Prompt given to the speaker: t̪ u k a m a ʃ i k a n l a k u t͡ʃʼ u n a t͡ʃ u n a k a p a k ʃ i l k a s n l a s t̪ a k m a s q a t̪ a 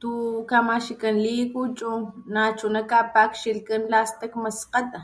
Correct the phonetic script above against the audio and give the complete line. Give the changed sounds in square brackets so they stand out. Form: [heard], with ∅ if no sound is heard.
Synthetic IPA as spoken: t̪ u k a m a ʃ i k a n l [i] k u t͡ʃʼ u n a t͡ʃ u n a k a p a k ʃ i l k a [∅] n l a s t̪ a k m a s q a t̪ a